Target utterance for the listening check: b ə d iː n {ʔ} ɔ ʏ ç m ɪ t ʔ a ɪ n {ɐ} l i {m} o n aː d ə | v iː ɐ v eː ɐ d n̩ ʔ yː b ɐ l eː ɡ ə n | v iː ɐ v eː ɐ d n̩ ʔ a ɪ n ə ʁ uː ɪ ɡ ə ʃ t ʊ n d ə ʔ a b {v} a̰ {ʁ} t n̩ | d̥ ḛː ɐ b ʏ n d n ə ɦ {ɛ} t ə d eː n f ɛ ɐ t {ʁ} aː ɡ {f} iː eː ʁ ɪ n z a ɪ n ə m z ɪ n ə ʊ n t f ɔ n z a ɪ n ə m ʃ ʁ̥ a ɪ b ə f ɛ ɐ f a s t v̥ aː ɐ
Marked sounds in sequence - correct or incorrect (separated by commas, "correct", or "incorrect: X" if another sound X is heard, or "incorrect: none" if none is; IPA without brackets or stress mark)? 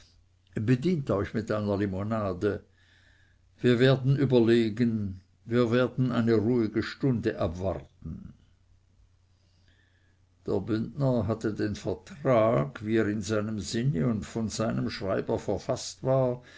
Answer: incorrect: t, correct, correct, correct, correct, incorrect: a, correct, incorrect: v